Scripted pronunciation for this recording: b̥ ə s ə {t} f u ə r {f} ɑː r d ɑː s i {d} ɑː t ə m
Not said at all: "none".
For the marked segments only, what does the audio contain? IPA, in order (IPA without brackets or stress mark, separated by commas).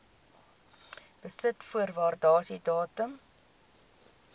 t, v, d